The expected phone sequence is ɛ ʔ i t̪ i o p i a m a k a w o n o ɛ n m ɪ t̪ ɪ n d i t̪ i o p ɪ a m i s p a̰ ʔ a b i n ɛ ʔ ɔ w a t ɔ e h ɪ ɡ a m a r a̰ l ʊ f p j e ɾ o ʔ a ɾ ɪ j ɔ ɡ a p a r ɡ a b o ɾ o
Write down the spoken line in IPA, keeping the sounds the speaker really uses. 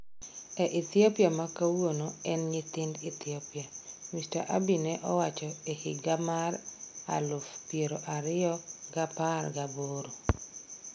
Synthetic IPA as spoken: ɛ ʔ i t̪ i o p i a m a k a w o n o ɛ n ɲ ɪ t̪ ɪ n d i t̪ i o p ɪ a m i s t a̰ ʔ a b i n ɛ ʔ ɔ w a t͡ʃ ɔ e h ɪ ɡ a m a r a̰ l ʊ f p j e ɾ o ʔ a ɾ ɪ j ɔ ɡ a p a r ɡ a b o ɾ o

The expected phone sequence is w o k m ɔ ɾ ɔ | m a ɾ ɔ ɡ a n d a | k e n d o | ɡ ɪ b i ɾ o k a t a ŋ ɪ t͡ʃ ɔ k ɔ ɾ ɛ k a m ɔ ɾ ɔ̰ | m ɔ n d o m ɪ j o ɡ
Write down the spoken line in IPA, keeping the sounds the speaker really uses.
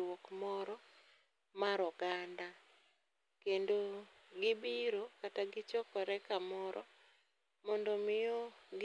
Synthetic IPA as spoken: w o k m ɔ ɾ ɔ | m a ɾ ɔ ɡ a n d a | k e n d o | ɡ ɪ b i ɾ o k a t a ɡ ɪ t͡ʃ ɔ k ɔ ɾ ɛ k a m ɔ ɾ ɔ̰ | m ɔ n d o m ɪ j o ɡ

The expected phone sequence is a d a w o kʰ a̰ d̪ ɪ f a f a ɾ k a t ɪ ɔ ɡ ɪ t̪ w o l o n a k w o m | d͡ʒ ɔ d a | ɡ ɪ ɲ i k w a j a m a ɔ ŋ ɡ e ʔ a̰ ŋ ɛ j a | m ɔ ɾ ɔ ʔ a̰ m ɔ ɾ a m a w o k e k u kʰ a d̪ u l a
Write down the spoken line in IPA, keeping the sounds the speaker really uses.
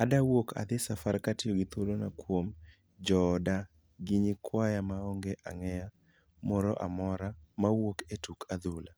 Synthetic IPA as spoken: a d a w o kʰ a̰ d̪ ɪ s a f a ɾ k a t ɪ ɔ ɡ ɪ t̪ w o l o n a k w o m | d͡ʒ ɔ d a | ɡ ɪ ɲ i k w a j a m a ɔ ŋ ɡ e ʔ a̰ ŋ ɛ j a | m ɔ ɾ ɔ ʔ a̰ m ɔ ɾ a m a w o k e t u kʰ a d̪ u l a

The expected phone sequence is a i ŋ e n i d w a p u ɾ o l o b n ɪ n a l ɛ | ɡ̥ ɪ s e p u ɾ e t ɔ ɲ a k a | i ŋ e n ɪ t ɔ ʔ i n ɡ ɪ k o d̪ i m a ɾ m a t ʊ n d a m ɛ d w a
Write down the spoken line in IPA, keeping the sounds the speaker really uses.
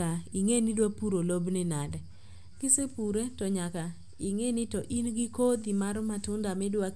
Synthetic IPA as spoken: a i ŋ e n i d w a p u ɾ o l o b n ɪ n a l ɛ | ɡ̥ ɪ s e p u ɾ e t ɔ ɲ a k a | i ŋ e n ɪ t ɔ ʔ i n ɡ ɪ k o d̪ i m a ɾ m a t ʊ n d a m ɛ d w a

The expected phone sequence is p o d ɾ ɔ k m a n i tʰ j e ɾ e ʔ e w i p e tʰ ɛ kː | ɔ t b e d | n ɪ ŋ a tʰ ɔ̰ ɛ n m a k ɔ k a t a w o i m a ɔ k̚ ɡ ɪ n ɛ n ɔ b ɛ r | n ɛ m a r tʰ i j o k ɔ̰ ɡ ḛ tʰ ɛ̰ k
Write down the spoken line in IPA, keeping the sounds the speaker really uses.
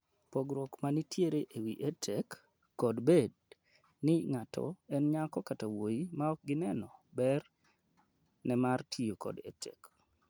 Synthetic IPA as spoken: p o ɡ ɾ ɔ k m a n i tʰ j e ɾ e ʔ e w i ʔ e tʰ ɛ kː | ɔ d b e d | n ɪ ŋ a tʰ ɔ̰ ɛ n ɲ a k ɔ k a t a w o i m a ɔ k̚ ɡ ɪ n ɛ n ɔ b ɛ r | n ɛ m a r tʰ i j o k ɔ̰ d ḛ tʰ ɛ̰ k

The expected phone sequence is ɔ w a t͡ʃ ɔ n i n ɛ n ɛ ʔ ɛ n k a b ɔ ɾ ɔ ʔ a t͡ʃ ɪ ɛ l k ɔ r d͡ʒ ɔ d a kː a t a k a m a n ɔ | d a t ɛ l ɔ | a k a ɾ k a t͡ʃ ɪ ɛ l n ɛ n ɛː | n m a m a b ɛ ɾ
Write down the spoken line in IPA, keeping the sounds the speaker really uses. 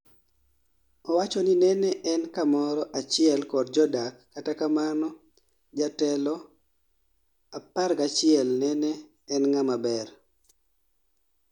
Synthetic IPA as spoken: ɔ w a t͡ʃ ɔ n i n ɛ n ɛ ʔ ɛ n k a m ɔ ɾ ɔ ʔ a t͡ʃ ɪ ɛ l k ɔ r d͡ʒ ɔ d a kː a t a k a m a n ɔ | d͡ʒ a t ɛ l ɔ | a p a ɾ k a t͡ʃ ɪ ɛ l n ɛ n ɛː | n ŋ a m a b ɛ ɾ

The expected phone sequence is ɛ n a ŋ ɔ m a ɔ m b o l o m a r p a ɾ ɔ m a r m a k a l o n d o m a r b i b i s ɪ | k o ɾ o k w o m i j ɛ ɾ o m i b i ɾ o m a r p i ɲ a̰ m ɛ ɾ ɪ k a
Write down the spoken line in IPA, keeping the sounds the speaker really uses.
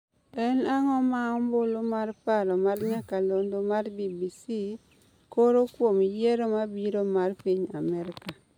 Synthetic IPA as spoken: ɛ n a ŋ ɔ m a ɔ m b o l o m a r p a ɾ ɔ m a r ɲ a k a l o n d o m a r b i b i s i | k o ɾ o k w o m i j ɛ ɾ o m a b i ɾ o m a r p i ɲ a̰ m ɛ ɾ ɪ k a

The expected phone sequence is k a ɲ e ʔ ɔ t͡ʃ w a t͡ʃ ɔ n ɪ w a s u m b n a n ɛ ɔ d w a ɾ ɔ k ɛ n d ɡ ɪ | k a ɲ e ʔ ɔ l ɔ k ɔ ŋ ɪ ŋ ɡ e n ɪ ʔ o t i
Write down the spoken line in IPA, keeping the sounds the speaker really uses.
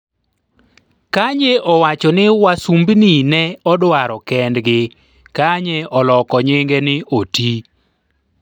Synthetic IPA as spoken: k a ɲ e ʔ ɔ w a t͡ʃ ɔ n ɪ w a s u m b n i n ɛ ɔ d w a ɾ ɔ k ɛ n d ɡ ɪ | k a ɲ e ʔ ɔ l ɔ k ɔ ɲ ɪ ŋ ɡ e n ɪ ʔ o t i

